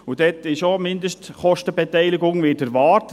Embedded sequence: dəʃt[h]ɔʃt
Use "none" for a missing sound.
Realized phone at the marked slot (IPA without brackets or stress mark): χ